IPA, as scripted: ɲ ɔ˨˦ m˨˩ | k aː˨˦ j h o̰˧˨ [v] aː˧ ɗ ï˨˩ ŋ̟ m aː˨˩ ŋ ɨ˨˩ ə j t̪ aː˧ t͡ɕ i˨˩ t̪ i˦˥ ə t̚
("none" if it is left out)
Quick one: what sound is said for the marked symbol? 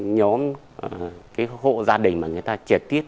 z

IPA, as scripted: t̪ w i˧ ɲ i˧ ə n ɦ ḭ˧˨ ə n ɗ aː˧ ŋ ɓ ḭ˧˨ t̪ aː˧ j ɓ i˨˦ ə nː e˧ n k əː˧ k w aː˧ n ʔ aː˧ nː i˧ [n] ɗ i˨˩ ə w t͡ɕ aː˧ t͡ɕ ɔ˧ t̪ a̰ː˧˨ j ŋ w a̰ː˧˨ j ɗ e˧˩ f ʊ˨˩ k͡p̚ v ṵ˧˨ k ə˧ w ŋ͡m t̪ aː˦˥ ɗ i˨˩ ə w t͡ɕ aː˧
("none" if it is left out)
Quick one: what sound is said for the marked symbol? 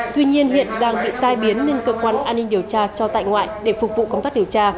ŋ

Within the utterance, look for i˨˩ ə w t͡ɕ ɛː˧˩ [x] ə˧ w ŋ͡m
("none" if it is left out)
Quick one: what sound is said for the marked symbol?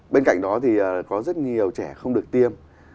x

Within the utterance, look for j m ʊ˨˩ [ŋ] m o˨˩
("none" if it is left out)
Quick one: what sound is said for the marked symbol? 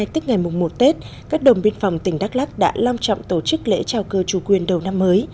ŋ͡m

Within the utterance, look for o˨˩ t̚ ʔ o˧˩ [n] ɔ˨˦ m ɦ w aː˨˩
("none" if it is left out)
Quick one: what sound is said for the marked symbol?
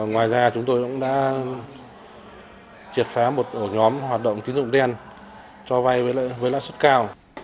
ɲ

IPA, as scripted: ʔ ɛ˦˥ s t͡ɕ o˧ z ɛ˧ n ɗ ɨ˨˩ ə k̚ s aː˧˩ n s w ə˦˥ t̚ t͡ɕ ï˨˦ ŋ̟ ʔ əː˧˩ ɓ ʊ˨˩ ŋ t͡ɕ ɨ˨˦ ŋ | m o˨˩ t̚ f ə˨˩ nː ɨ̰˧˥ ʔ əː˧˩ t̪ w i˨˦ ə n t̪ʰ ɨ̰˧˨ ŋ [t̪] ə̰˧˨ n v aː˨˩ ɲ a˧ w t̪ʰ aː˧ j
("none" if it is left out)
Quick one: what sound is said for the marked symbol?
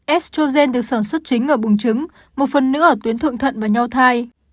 t̪ʰ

